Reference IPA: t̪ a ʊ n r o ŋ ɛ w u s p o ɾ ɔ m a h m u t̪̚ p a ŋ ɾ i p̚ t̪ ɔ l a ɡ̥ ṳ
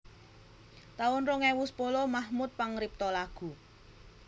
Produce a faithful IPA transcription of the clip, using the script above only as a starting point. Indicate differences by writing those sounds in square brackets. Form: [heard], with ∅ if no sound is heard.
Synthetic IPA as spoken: t̪ a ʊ n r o ŋ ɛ w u s p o [l] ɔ m a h m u t̪̚ p a ŋ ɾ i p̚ t̪ ɔ l a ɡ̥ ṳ